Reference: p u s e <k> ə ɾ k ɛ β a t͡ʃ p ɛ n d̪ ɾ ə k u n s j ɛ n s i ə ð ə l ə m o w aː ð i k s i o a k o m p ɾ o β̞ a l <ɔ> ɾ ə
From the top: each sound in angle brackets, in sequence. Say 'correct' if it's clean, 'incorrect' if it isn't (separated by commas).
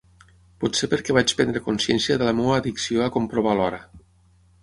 incorrect, correct